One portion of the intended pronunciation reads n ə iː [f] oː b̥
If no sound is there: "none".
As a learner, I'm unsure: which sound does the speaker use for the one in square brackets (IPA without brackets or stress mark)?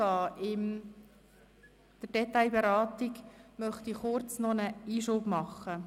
ʃ